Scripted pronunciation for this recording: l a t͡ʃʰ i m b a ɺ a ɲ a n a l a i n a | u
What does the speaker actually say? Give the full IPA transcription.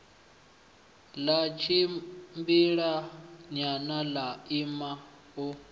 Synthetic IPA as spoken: l a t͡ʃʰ i m b i ɺ a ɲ a n a l a i m a | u